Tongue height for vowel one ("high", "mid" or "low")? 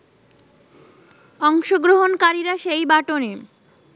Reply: mid